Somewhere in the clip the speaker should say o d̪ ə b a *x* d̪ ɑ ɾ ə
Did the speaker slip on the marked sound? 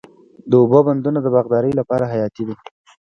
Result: yes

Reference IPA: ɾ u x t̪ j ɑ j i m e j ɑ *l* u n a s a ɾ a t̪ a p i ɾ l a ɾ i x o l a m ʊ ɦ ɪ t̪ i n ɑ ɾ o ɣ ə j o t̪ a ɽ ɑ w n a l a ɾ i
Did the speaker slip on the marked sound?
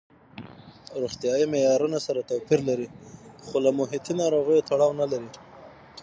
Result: yes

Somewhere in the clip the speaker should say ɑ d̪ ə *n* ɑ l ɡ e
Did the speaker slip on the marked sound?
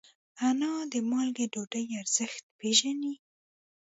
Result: yes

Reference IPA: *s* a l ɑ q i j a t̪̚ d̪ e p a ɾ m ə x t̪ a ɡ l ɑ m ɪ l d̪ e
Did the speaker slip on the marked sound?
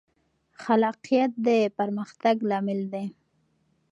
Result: yes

